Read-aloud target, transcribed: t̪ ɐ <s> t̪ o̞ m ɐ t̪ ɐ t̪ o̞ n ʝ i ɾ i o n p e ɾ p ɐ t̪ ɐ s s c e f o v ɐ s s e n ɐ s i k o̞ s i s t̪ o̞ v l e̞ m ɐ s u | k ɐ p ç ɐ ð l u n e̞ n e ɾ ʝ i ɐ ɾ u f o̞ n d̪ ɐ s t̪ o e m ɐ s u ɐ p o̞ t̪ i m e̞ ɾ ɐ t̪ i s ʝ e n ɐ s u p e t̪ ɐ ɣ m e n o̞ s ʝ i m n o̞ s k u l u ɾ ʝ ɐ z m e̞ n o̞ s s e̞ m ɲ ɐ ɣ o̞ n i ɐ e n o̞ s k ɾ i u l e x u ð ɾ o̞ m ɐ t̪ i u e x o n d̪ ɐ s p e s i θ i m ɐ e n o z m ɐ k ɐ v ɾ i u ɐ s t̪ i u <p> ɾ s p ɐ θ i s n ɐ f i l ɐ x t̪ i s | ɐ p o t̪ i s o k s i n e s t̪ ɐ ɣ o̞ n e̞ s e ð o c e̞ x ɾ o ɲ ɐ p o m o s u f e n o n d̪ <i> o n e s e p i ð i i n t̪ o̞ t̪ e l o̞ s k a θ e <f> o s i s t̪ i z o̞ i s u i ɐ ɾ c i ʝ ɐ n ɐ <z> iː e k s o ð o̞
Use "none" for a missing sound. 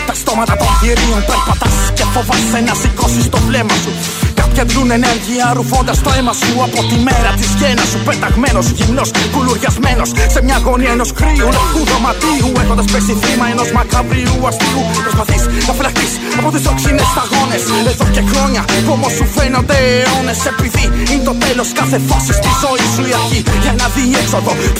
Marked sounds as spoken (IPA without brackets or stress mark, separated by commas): s, p, e, f, ð